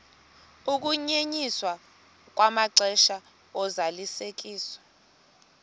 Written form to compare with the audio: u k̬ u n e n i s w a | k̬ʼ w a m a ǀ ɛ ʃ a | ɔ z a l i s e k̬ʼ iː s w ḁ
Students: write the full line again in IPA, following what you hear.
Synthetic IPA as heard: u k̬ u ɲ e ɲ i s w a | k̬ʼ w a m a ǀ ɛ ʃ a | ɔ z a l i s e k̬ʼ iː s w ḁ